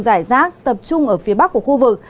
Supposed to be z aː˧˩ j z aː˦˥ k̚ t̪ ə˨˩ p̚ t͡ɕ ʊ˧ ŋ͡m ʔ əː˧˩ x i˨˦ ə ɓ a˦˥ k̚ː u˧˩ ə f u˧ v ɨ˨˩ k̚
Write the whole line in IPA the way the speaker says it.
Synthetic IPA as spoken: z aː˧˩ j z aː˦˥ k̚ t̪ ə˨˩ p̚ t͡ɕ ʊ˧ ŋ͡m ʔ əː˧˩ f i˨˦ ə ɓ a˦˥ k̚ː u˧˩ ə x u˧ v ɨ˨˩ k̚